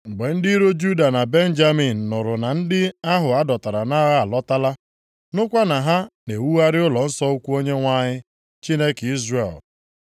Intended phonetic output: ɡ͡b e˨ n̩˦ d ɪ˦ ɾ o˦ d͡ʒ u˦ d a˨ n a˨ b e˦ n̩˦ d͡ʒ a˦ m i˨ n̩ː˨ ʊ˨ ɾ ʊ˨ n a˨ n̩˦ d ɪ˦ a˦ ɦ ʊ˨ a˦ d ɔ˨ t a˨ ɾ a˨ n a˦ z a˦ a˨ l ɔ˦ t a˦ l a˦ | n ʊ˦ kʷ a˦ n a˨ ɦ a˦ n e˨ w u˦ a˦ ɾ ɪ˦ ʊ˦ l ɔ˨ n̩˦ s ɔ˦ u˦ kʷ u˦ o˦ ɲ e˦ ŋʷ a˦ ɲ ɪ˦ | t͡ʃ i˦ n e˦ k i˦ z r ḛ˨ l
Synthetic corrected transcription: ɡ͡b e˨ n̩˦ d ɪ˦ ɾ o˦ d͡ʒ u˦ d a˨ n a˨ b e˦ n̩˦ d͡ʒ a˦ m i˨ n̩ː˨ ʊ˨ ɾ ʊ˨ n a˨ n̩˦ d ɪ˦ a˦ ɦ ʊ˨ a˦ d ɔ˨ t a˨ ɾ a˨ n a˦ ɣ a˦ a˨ l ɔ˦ t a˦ l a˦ | n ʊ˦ kʷ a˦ n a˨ ɦ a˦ n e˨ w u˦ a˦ ɾ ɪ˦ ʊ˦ l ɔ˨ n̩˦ s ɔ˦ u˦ kʷ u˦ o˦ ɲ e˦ ŋʷ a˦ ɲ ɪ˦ | t͡ʃ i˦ n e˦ k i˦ z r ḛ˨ l